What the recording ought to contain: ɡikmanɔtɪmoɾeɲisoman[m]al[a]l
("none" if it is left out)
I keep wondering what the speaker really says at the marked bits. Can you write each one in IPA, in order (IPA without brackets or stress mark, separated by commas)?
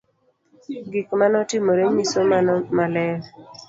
m, ɛ